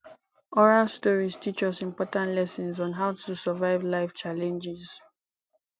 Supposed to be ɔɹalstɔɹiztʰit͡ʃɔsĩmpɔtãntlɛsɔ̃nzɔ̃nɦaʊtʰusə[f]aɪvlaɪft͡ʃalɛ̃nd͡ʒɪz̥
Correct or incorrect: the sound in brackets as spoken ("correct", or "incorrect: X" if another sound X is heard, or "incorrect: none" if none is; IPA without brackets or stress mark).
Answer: incorrect: v